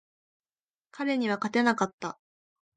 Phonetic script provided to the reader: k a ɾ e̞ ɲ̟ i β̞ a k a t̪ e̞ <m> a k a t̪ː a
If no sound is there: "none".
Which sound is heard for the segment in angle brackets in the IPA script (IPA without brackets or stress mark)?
n